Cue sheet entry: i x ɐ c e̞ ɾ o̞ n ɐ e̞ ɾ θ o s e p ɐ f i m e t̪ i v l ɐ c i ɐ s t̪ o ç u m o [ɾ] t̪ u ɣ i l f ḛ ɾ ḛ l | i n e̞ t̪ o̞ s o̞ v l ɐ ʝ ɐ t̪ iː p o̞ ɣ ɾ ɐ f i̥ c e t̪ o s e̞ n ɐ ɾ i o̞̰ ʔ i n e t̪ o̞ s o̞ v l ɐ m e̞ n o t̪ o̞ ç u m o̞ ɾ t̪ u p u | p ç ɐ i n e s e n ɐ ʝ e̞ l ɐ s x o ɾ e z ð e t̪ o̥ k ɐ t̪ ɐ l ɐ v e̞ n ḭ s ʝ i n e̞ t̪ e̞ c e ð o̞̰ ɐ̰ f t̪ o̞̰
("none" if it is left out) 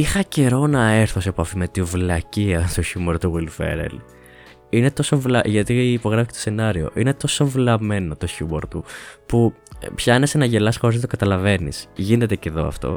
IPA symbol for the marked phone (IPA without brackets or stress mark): ɾ